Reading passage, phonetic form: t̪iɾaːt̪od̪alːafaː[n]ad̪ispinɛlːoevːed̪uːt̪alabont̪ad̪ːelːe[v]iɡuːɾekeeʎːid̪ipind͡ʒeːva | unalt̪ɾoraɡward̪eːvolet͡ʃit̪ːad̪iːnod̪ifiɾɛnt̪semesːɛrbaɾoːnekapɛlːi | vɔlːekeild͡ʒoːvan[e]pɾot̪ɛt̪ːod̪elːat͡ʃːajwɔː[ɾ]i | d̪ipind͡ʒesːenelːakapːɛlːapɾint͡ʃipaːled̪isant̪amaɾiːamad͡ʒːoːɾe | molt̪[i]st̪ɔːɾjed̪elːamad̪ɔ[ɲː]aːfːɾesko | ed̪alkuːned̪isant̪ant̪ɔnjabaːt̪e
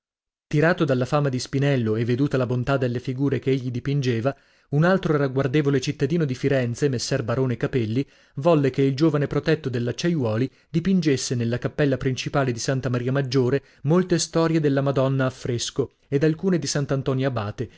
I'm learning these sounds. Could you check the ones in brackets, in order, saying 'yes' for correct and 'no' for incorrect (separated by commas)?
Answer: no, no, yes, no, no, no